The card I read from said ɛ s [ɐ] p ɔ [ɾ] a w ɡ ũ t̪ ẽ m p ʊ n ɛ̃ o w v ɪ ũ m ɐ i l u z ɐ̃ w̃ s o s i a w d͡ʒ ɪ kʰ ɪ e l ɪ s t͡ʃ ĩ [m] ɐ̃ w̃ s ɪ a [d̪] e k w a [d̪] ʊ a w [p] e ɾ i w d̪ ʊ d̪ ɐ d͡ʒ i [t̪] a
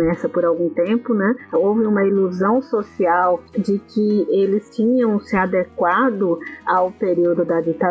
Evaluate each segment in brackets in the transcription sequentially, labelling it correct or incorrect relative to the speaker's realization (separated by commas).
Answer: correct, correct, incorrect, correct, correct, correct, correct